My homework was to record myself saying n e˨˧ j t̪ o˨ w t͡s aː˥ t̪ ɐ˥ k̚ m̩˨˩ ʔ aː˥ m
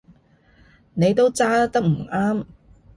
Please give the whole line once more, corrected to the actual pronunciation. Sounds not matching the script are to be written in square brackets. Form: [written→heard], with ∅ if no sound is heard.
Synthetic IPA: n e˨˧ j t̪ [o˨→o˥] w t͡s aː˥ t̪ ɐ˥ k̚ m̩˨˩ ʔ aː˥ m